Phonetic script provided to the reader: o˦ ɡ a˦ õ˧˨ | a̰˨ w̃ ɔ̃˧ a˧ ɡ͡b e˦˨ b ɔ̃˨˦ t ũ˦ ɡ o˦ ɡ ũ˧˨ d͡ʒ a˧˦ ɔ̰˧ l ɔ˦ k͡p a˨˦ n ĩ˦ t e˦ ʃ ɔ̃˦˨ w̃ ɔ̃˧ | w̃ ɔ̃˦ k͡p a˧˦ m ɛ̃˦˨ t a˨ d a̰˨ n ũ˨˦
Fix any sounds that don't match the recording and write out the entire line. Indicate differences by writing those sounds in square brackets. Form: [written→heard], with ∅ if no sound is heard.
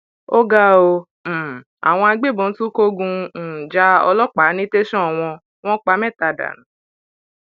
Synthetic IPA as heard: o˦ ɡ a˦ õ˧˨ | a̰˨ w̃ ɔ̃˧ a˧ ɡ͡b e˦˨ b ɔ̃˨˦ t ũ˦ [ɡ→k] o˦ ɡ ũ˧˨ d͡ʒ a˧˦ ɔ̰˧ l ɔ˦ k͡p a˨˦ n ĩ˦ t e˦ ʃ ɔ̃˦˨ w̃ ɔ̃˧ | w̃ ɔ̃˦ k͡p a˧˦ m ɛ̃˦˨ t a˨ d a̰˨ n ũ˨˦